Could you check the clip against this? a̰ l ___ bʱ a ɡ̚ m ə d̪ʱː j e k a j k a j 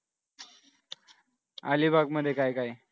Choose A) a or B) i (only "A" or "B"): B